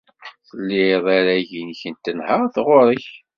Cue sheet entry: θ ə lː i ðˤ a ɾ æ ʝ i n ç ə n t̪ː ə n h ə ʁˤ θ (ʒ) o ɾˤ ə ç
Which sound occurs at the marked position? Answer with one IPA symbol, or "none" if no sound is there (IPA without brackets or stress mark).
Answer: ʁ